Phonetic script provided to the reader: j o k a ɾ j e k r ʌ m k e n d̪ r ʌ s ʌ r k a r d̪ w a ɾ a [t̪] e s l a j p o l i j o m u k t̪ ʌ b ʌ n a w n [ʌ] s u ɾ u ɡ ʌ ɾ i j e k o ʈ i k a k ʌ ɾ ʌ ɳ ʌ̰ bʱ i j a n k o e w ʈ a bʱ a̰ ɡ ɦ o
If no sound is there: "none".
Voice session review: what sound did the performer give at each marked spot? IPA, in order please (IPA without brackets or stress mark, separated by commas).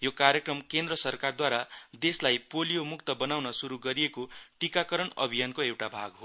d̪, ʌ